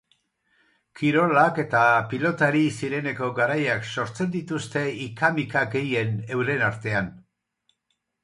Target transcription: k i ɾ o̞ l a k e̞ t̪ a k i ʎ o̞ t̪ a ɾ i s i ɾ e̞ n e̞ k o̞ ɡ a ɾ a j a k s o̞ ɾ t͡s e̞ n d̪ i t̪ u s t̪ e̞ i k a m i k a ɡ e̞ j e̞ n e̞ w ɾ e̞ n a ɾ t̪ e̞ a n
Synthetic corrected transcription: k i ɾ o̞ l a k e̞ t̪ a p i l o̞ t̪ a ɾ i s i ɾ e̞ n e̞ k o̞ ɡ a ɾ a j a k s o̞ ɾ t͡s e̞ n d̪ i t̪ u s t̪ e̞ i k a m i k a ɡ e̞ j e̞ n e̞ w ɾ e̞ n a ɾ t̪ e̞ a n